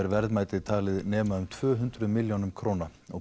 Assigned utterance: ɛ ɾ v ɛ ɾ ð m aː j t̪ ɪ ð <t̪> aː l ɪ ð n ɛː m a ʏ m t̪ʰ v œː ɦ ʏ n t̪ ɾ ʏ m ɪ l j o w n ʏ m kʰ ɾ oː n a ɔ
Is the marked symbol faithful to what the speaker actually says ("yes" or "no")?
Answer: no